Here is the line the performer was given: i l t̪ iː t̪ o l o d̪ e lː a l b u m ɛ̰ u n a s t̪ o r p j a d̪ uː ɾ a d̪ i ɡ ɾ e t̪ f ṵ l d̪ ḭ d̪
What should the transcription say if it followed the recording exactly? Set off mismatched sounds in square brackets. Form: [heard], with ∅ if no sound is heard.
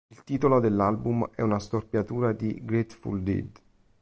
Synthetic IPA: i l t̪ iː t̪ o l o d̪ e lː a l b u m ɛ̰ u n a s t̪ o r p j a [t̪] uː ɾ a d̪ i ɡ ɾ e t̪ f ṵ l d̪ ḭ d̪